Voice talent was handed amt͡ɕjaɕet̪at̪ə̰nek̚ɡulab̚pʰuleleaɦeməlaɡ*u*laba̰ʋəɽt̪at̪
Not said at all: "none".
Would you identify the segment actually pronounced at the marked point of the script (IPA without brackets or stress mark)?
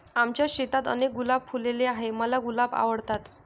u